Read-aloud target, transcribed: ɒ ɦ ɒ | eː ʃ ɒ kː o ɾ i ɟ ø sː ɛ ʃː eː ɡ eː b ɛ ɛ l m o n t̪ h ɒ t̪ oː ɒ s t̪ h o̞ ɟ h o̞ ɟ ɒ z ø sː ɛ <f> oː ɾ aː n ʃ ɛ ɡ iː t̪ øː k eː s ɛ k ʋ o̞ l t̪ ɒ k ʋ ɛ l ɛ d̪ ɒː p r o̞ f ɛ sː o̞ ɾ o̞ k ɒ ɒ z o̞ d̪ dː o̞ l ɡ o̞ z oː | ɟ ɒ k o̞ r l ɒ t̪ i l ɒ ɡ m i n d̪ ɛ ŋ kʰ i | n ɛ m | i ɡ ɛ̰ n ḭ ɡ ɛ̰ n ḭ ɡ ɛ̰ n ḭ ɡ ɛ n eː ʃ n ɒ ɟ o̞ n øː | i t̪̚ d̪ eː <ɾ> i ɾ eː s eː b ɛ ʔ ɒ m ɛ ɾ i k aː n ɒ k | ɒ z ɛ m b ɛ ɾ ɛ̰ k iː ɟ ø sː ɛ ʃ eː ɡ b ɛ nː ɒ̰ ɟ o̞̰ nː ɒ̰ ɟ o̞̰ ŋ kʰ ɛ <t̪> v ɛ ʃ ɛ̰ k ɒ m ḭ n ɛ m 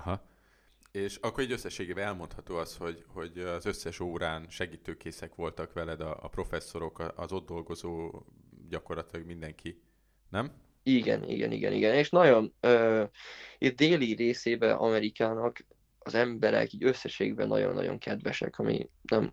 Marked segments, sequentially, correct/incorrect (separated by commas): incorrect, incorrect, incorrect